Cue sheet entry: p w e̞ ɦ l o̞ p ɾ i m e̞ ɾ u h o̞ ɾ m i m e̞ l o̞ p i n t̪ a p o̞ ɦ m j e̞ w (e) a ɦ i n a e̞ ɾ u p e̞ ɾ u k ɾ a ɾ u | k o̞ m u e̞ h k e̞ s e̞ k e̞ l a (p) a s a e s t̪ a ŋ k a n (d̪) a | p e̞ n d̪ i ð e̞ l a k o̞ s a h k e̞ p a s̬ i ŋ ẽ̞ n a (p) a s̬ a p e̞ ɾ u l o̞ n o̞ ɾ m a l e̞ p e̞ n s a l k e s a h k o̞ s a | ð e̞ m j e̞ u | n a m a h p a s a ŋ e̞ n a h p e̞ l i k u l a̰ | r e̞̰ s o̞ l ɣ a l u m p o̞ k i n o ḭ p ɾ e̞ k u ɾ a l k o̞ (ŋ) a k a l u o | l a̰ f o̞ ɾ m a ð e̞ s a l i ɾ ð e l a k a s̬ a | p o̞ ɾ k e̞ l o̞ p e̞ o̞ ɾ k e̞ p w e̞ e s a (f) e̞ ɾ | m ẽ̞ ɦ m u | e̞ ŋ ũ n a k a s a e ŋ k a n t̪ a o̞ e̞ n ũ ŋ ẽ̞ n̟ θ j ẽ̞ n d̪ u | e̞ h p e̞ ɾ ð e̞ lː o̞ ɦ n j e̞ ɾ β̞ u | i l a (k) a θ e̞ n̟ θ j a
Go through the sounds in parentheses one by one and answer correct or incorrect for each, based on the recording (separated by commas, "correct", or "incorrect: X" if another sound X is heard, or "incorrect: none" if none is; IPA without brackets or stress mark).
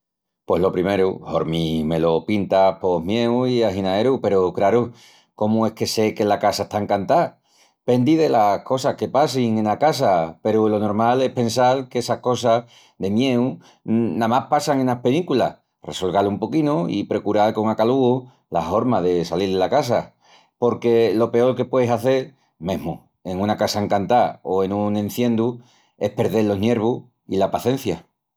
incorrect: i, incorrect: k, incorrect: t̪, incorrect: k, correct, incorrect: θ, incorrect: p